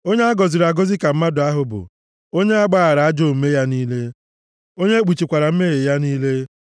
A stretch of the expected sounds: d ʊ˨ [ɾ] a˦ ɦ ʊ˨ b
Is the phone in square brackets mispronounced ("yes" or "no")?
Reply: yes